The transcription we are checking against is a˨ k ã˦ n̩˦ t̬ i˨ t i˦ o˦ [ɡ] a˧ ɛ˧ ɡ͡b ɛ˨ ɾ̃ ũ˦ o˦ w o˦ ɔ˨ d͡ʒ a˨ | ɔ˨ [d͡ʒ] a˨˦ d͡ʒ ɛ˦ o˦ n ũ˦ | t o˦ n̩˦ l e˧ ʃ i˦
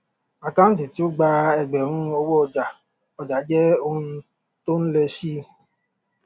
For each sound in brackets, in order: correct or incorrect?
incorrect: ɡ͡b, correct

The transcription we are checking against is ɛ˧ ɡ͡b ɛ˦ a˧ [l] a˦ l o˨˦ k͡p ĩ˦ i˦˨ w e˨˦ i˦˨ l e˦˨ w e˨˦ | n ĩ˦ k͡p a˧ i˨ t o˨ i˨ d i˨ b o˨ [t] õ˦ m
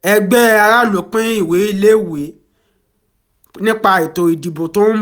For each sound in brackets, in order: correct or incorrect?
incorrect: ɾ, correct

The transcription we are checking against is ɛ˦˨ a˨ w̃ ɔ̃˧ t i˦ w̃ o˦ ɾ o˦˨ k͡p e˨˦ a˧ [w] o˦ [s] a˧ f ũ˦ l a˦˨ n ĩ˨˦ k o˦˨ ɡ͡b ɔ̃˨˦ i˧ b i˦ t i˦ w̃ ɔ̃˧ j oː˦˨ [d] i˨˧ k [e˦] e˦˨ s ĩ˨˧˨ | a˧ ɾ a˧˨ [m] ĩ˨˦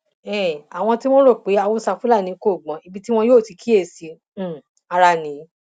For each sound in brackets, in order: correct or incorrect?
correct, correct, incorrect: t, incorrect: i˦, incorrect: n

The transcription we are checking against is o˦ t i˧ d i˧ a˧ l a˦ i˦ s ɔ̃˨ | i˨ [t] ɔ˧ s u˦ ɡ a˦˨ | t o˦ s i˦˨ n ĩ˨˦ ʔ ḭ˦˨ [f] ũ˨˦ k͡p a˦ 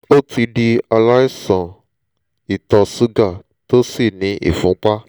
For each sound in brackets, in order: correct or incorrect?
correct, correct

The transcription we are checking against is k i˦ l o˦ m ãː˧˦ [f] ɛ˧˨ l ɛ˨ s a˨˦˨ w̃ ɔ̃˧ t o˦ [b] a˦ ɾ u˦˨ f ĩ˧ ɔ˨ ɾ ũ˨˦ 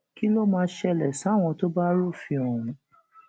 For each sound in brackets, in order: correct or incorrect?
incorrect: ʃ, correct

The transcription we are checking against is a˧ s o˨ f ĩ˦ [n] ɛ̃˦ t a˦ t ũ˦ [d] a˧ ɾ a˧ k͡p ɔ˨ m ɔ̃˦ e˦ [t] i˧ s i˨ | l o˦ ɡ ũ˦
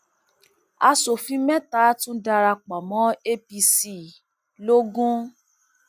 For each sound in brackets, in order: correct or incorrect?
incorrect: m, correct, incorrect: p

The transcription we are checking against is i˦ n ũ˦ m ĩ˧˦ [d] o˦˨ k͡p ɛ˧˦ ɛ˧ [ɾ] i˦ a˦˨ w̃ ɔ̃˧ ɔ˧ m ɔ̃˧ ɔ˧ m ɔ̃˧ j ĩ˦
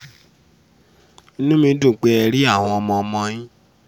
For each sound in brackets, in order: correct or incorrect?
correct, correct

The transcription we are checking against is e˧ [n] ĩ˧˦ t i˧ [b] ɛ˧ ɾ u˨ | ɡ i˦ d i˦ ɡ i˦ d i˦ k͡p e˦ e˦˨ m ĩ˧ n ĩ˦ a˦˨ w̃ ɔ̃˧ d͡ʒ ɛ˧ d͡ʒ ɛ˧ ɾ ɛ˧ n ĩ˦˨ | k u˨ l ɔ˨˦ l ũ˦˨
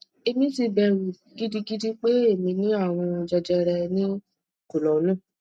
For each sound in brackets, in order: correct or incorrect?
incorrect: m, correct

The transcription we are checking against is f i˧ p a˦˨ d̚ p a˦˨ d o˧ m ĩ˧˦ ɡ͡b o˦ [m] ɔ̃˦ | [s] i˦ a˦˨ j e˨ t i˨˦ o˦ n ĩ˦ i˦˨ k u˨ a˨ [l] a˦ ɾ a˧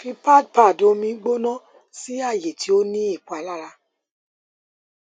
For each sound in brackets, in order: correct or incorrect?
incorrect: n, correct, correct

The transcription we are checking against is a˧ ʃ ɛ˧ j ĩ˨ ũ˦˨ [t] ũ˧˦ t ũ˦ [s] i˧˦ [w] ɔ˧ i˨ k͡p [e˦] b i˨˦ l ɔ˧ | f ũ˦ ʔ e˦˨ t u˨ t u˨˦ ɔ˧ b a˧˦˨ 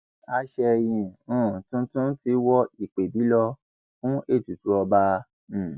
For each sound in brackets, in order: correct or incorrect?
correct, incorrect: t, correct, incorrect: e˨

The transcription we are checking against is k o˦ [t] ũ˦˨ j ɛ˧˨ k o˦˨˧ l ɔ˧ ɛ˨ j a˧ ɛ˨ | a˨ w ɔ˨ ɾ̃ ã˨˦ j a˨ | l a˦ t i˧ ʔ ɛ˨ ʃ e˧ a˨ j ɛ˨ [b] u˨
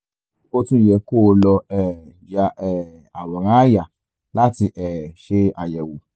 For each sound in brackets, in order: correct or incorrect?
correct, incorrect: w

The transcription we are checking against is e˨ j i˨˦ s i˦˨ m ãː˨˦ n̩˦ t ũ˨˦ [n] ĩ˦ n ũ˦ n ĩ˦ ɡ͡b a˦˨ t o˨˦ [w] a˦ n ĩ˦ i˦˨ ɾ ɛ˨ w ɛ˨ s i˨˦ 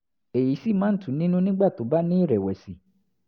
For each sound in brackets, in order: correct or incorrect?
correct, incorrect: b

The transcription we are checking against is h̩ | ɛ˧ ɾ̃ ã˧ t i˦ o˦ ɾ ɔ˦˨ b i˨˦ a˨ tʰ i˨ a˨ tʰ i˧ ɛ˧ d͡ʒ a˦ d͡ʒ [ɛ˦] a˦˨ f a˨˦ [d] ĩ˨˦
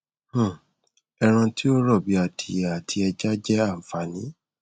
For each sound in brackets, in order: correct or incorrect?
correct, incorrect: n

